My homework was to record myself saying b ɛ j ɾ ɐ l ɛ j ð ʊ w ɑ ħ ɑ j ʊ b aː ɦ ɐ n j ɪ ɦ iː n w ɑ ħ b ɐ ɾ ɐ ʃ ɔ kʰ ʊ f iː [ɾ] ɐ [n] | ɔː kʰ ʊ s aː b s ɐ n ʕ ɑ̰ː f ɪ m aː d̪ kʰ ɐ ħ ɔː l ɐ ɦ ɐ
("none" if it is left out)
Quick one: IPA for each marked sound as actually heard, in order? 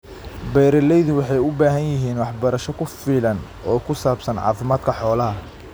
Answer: l, n

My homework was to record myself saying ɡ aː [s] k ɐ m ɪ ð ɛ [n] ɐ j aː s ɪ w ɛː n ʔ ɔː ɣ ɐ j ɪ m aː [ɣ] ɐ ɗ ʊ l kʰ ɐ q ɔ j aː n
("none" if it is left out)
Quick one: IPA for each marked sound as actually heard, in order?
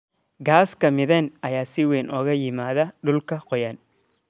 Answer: s, n, ð

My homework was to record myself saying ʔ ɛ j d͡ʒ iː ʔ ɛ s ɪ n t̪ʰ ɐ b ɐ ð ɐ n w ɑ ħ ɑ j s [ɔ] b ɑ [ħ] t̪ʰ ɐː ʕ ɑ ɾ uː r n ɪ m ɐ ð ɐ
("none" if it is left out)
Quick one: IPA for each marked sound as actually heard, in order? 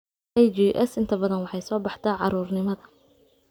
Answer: ɔː, ħ

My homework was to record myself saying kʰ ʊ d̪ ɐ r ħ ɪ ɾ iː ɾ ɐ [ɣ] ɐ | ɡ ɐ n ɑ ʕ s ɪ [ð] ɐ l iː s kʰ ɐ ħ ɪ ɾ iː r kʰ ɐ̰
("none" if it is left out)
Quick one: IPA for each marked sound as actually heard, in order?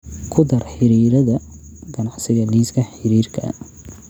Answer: ð, ɣ

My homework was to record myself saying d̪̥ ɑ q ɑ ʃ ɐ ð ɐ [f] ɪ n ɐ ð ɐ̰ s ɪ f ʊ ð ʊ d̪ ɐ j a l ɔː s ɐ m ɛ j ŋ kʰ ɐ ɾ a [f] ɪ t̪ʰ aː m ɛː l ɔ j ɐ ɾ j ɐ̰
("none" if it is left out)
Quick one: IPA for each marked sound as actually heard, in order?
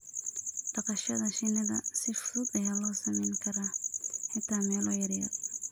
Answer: ʃ, ħ

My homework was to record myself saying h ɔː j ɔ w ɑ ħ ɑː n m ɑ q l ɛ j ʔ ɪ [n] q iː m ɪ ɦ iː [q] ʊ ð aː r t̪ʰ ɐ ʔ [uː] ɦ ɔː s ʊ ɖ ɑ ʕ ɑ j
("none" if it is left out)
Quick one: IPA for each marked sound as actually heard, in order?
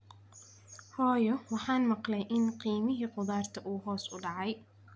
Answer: n, q, uː

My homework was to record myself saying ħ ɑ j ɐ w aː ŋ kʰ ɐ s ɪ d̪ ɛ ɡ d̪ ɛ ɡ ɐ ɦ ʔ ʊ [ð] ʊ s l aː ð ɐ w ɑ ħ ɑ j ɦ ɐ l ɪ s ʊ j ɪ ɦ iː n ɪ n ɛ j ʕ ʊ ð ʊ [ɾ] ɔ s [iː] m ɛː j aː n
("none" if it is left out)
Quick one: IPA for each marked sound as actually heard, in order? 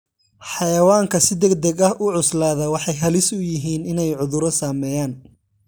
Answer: ʕ, ɾ, aː

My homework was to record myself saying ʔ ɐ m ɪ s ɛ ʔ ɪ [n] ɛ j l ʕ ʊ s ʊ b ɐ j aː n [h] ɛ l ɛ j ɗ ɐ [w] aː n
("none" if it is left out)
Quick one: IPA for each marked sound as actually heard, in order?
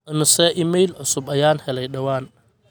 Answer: m, h, w

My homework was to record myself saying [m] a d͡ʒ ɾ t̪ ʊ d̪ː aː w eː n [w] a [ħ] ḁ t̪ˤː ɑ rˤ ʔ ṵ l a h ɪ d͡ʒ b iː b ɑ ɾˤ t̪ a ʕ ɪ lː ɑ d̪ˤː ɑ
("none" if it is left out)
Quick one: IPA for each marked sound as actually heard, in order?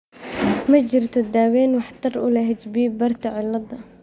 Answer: m, w, ħ

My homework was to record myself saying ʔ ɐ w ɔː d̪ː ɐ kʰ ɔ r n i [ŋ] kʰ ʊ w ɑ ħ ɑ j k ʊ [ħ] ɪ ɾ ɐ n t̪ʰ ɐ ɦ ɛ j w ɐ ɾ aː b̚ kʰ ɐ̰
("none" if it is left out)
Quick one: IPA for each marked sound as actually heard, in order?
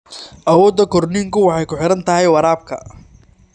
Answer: ŋ, ħ

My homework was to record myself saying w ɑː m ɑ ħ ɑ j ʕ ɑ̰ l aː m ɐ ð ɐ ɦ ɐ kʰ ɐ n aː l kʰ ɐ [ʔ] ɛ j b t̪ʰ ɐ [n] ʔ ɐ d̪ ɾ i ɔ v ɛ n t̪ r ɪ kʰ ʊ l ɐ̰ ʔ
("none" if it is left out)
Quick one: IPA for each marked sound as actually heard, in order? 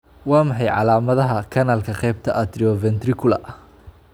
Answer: q, none

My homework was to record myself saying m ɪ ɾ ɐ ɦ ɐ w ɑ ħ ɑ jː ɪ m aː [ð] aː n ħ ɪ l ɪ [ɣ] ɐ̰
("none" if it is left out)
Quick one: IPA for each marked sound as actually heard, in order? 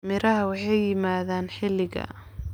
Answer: ð, ɣ

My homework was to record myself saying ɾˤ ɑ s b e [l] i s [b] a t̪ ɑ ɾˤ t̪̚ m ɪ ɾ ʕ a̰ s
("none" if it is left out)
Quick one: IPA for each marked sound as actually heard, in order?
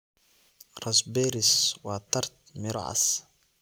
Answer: ɾ, w

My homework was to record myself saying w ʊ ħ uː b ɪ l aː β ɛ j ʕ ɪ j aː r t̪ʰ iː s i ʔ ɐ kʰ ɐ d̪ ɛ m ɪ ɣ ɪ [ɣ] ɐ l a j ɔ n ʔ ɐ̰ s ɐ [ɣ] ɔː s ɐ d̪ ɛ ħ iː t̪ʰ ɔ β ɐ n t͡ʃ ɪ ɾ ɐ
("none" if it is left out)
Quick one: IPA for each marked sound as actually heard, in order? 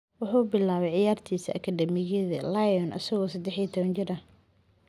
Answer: ð, ɣ

